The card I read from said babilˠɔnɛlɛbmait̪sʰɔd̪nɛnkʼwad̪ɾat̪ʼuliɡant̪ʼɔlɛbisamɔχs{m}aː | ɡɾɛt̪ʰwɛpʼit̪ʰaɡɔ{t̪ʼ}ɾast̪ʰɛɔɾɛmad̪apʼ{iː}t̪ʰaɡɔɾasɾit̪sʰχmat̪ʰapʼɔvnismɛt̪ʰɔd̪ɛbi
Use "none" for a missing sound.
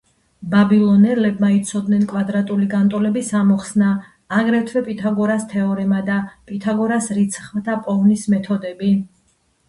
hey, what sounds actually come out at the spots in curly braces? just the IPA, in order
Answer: n, none, i

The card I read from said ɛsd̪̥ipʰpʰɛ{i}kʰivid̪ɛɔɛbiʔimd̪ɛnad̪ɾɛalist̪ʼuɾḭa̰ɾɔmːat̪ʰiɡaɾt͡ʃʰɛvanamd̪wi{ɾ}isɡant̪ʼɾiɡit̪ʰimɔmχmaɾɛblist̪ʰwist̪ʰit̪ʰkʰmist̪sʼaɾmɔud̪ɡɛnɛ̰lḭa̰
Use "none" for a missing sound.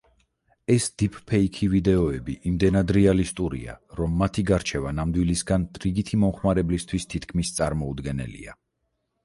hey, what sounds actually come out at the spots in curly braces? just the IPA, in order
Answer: i, l

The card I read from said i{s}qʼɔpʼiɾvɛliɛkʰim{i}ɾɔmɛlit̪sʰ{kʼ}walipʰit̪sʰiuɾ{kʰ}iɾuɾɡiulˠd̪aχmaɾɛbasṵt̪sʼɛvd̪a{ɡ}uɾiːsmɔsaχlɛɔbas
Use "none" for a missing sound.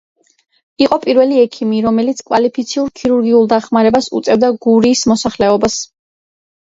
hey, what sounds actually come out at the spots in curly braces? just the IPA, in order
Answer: none, i, kʼ, kʰ, ɡ

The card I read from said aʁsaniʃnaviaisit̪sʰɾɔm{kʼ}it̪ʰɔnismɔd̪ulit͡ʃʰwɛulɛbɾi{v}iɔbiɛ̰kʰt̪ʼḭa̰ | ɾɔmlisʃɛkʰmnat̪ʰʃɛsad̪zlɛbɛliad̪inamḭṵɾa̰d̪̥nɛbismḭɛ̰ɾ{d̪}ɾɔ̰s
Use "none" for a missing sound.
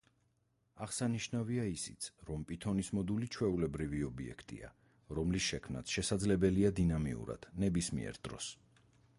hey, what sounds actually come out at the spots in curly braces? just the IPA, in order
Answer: pʼ, v, d̪

